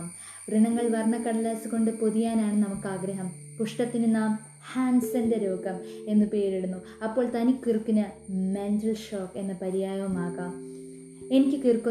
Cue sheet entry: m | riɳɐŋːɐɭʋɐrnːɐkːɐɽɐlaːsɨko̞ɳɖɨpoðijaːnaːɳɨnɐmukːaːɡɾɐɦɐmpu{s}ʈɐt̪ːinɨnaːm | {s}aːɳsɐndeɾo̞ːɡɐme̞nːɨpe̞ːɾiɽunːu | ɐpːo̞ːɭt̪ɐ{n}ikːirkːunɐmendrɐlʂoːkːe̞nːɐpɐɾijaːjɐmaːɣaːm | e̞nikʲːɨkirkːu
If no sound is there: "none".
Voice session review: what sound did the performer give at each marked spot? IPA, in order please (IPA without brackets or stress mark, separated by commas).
ʂ, h, n